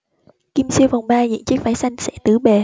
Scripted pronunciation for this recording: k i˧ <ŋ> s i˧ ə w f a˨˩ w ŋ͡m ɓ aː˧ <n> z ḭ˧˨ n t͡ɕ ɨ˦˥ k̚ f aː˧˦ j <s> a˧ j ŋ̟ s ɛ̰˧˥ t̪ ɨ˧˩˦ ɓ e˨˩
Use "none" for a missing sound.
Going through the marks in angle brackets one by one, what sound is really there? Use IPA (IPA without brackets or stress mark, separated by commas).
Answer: m, none, s